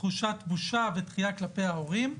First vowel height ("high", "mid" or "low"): high